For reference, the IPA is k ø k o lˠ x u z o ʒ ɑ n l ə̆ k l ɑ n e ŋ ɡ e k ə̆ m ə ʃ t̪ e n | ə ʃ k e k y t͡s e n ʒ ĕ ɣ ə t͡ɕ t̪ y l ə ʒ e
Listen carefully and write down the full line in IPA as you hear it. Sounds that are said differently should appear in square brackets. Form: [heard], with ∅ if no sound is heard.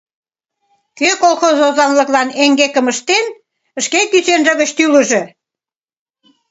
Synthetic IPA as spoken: k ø k o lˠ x [o] z o [z] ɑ n l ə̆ k l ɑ n e ŋ ɡ e k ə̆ m ə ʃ t̪ e n | ə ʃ k e k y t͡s e n ʒ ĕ ɣ ə t͡ɕ t̪ y l ə ʒ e